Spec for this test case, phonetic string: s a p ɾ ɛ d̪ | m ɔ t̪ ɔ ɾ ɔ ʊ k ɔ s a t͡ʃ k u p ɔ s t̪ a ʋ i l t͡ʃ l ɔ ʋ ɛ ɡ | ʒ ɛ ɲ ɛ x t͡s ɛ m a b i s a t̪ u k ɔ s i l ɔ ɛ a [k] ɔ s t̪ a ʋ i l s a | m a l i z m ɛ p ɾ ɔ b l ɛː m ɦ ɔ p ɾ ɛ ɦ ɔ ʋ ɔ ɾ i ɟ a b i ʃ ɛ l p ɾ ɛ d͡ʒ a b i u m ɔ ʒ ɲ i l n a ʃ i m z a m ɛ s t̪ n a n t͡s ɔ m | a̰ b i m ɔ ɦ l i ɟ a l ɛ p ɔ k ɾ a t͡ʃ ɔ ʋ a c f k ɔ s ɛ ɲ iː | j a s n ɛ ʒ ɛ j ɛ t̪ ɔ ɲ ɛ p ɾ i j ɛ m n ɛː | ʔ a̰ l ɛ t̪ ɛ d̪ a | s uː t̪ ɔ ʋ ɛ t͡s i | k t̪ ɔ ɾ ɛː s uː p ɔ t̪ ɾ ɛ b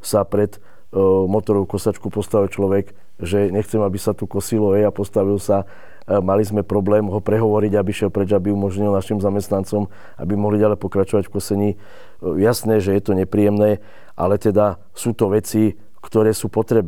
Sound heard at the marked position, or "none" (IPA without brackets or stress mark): p